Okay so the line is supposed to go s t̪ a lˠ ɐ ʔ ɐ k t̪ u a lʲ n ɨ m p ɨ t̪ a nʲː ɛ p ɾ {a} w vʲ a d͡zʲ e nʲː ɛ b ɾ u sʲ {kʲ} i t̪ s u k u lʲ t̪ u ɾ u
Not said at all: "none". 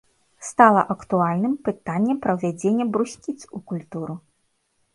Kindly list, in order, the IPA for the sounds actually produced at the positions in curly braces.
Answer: ɐ, kʲ

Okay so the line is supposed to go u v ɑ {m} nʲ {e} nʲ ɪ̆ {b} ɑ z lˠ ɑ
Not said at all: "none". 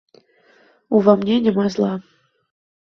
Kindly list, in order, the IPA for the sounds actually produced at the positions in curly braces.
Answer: m, e, m

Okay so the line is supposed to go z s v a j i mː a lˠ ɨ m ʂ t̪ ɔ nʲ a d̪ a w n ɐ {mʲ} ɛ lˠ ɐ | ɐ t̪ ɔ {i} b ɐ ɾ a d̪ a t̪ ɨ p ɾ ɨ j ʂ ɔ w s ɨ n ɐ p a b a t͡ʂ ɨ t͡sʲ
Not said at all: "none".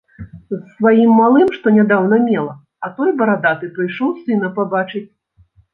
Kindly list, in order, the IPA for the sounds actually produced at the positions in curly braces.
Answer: mʲ, j

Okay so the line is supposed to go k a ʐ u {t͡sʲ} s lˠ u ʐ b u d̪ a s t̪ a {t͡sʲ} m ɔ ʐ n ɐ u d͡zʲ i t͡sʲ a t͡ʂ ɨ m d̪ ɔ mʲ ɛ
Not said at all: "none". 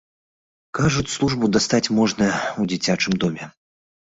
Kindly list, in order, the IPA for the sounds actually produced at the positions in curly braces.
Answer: t͡sʲ, t͡sʲ

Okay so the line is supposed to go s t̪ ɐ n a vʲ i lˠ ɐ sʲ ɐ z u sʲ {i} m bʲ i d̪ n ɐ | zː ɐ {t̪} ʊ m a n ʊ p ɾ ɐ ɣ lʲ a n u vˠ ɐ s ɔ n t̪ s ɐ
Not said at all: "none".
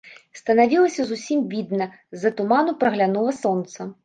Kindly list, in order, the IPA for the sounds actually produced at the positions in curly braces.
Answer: i, t̪

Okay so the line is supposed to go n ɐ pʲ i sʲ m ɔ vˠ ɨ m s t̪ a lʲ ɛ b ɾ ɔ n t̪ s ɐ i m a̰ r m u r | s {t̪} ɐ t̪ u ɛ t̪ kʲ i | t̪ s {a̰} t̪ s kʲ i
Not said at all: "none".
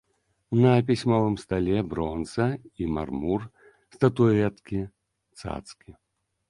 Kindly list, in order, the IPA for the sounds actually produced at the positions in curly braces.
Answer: t̪, a̰

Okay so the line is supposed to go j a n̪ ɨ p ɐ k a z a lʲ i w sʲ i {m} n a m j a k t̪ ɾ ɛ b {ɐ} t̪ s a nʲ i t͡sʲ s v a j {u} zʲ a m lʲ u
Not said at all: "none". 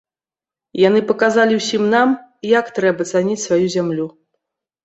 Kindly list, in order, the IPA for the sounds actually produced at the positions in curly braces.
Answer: m, ɐ, u

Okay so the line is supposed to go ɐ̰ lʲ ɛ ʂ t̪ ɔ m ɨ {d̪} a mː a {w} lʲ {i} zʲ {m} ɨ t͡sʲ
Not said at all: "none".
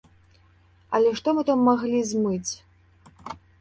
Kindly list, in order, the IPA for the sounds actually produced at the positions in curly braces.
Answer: t̪, ɣ, i, m

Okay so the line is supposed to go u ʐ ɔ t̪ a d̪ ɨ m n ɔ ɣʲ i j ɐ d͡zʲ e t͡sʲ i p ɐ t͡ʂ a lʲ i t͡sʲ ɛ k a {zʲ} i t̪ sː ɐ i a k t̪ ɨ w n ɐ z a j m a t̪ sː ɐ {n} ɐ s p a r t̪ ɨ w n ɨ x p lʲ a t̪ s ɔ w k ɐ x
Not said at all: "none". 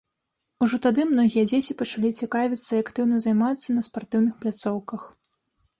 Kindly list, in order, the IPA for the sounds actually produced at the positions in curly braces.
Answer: vʲ, n

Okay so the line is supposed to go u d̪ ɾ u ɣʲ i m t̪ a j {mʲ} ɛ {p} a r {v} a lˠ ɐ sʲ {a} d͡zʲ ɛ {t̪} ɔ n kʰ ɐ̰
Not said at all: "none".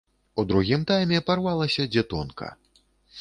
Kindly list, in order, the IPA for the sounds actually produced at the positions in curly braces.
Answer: mʲ, p, v, ɐ, t̪

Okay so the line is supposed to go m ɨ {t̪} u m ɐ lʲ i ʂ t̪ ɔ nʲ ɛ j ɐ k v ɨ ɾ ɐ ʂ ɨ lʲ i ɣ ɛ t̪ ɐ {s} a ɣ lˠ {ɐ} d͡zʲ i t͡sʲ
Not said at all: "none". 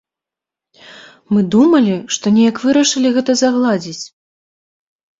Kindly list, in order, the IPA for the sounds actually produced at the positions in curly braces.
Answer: d̪, z, a

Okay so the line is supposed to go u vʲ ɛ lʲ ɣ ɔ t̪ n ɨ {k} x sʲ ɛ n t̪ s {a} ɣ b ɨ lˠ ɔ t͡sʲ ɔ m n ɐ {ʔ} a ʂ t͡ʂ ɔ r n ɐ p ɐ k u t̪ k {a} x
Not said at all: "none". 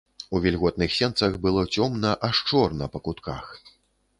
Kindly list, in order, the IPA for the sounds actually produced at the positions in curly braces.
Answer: none, ɐ, ʔ, a

